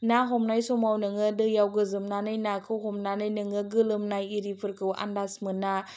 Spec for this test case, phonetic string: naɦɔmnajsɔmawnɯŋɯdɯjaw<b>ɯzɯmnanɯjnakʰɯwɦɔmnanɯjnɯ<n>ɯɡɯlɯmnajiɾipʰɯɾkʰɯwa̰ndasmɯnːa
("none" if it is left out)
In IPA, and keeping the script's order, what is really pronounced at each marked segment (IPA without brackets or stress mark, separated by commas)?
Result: ɡ, ŋ